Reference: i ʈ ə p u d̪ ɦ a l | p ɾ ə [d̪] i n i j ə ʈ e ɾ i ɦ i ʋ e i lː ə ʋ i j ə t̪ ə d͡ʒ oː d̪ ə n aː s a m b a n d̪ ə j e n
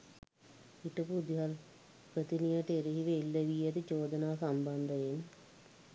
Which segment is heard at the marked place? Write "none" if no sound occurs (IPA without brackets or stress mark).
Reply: t̪